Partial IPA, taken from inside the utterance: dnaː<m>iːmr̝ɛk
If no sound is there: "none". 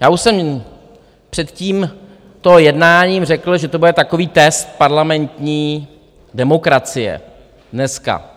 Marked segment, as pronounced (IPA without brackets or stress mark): ɲ